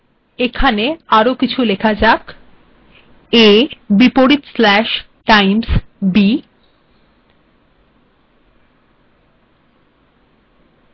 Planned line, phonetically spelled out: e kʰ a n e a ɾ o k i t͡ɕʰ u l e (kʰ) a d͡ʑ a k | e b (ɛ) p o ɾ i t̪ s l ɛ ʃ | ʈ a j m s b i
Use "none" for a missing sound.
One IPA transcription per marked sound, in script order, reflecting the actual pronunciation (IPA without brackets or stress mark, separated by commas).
kʰ, i